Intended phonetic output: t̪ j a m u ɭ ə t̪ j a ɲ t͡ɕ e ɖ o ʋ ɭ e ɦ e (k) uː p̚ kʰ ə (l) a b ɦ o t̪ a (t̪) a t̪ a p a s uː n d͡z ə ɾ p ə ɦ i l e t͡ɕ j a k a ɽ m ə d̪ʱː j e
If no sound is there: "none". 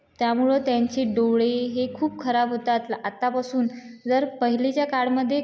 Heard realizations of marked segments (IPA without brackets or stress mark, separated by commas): kʰ, ɾ, t̪